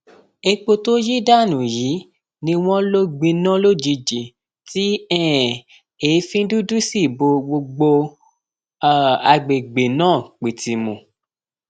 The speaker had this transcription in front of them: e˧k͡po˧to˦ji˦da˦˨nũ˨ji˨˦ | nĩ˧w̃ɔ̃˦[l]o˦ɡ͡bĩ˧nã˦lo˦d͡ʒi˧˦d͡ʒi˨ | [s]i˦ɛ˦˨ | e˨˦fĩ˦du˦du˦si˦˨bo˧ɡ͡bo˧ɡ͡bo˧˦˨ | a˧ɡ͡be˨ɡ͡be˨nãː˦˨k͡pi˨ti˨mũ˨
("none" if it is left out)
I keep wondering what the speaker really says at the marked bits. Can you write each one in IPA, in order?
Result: l, t

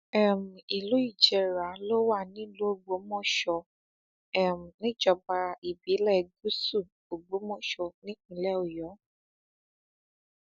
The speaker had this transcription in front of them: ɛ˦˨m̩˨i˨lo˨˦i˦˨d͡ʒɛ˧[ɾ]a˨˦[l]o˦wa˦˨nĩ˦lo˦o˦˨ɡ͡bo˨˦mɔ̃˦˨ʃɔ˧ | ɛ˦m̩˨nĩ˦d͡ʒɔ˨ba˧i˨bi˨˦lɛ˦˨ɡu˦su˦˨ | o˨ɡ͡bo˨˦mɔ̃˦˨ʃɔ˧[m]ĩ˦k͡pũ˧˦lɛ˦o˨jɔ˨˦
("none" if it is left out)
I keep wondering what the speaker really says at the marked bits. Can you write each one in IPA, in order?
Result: ɾ, l, n

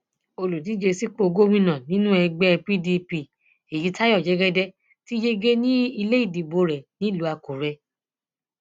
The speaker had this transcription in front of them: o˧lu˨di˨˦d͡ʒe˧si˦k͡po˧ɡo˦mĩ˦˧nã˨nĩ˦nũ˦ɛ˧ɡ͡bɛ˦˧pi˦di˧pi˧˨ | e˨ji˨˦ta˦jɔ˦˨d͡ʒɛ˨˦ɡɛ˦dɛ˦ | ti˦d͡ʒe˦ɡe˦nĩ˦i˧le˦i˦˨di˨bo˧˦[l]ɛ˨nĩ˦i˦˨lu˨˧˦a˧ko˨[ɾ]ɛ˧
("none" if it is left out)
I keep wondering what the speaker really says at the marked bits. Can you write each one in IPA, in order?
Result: ɾ, ɾ

